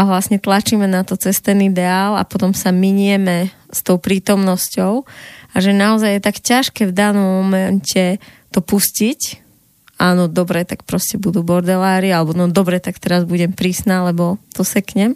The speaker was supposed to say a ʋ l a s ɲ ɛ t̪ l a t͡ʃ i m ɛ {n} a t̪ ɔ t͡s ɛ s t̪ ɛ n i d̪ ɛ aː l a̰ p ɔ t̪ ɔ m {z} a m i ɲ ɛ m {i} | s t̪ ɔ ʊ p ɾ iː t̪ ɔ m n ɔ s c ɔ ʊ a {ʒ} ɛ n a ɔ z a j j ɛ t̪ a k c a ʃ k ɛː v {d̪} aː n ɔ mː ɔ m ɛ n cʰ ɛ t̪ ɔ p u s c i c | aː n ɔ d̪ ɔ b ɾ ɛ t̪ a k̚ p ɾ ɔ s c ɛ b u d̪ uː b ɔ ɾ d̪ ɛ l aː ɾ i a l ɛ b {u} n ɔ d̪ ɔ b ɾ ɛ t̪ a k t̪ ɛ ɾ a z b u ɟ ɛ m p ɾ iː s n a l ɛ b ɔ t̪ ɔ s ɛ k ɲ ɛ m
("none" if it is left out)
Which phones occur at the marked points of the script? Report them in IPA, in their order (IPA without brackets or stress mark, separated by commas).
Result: n, s, ɛ, ʒ, d̪, ɔ